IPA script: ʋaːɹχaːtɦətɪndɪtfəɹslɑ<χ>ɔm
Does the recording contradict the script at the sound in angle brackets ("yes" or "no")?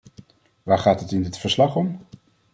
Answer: no